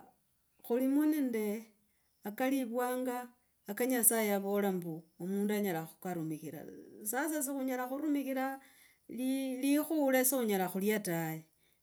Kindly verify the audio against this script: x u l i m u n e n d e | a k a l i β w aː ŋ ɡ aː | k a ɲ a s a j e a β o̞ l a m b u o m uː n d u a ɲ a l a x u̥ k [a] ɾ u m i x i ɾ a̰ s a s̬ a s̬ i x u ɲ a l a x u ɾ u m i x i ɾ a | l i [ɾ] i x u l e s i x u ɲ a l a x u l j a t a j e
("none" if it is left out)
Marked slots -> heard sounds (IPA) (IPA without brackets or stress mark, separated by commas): a, l